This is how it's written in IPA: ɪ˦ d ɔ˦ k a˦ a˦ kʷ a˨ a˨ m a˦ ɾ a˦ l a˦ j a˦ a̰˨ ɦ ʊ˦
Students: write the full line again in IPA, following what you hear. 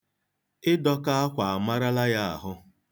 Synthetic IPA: ɪ˦ d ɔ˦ k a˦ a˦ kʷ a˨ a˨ m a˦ ɾ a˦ l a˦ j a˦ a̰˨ ɦ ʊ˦